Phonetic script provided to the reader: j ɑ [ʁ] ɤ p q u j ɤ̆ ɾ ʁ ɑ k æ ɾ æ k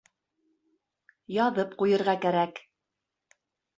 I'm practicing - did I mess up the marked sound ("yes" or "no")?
yes